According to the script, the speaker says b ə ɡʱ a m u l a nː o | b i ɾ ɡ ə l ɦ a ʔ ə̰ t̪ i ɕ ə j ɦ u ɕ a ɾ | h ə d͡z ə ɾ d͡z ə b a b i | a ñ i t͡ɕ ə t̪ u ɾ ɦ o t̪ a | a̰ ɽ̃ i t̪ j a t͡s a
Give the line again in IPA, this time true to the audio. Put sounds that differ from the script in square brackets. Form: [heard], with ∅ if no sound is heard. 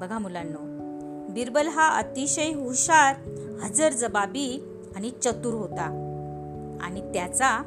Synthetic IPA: b ə ɡʱ a m u l a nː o | b i ɾ [b] ə l ɦ a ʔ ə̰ t̪ i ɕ ə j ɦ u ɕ a ɾ | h ə d͡z ə ɾ d͡z ə b a b i | a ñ i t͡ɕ ə t̪ u ɾ ɦ o t̪ a | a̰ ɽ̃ i t̪ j a t͡s a